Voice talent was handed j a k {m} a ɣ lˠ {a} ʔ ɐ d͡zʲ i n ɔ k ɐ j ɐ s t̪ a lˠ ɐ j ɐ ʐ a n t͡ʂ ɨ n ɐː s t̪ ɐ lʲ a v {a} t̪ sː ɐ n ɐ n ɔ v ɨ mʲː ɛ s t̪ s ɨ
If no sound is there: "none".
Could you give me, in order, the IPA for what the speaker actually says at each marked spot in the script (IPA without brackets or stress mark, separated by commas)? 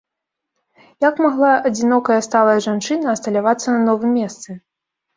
m, a, a